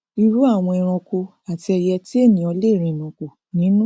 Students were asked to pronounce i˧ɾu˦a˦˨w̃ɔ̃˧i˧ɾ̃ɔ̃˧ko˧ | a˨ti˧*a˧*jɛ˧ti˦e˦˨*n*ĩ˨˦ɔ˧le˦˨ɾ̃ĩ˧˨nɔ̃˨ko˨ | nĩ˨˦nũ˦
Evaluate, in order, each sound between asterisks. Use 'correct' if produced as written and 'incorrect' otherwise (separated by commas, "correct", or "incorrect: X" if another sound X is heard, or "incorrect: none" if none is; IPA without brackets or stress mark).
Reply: incorrect: ɛ˧, correct